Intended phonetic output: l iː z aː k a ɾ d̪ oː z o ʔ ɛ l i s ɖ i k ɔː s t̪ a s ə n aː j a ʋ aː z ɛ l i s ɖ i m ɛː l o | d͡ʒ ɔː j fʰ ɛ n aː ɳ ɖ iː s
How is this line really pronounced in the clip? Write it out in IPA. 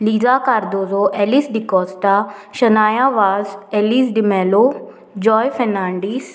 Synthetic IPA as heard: l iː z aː k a ɾ d̪ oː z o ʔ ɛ l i s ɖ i k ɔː s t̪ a ʃ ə n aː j a ʋ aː z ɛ l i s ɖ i m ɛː l o | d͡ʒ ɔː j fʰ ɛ n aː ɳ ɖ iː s